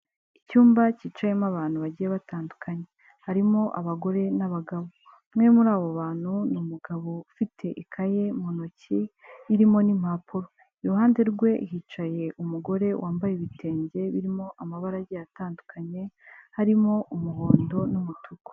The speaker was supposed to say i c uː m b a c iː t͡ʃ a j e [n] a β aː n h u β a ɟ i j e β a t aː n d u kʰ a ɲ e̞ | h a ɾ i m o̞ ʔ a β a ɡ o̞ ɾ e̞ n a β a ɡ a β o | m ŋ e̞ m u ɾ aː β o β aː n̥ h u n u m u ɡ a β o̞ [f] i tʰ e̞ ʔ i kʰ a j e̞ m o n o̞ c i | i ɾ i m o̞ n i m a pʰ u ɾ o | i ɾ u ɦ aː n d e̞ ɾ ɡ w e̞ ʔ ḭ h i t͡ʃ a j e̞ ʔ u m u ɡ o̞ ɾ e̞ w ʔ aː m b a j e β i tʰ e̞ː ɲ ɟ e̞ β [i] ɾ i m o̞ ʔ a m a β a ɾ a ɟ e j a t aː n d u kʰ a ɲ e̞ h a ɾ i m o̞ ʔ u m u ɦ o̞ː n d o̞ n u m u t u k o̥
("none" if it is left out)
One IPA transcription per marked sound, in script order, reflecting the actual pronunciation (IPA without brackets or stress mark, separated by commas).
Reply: m, f, i